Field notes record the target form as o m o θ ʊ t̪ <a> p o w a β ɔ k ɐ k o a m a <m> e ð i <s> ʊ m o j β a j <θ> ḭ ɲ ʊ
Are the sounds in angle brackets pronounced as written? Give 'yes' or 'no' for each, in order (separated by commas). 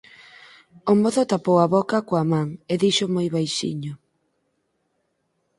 yes, no, no, no